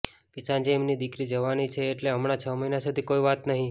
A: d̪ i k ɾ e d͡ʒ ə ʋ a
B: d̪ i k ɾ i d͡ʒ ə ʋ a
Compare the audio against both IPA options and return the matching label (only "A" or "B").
B